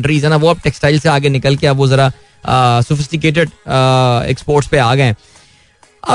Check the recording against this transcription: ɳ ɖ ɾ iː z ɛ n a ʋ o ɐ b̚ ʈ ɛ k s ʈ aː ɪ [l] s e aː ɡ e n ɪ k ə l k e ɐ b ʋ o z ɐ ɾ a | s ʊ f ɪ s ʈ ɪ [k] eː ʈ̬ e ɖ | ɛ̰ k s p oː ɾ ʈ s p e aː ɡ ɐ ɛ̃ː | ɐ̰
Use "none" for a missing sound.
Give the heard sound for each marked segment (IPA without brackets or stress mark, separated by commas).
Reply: l, k